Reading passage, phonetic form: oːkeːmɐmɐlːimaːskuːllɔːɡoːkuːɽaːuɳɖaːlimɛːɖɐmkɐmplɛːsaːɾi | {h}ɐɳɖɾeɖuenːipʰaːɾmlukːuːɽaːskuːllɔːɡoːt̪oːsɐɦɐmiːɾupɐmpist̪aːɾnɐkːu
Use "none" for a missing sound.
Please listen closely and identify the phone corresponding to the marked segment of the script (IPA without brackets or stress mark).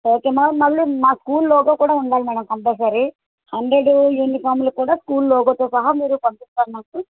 h